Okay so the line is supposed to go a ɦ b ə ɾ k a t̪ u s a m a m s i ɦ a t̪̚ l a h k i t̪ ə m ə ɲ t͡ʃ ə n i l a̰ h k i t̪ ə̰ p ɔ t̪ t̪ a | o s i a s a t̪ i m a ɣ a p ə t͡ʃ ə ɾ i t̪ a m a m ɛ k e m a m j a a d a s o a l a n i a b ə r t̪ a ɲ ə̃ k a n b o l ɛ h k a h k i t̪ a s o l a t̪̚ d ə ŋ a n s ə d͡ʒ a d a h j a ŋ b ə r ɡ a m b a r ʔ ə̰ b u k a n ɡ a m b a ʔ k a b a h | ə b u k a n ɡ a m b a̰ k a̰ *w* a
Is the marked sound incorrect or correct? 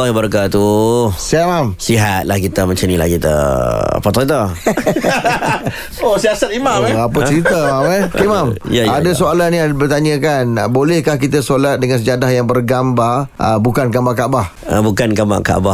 incorrect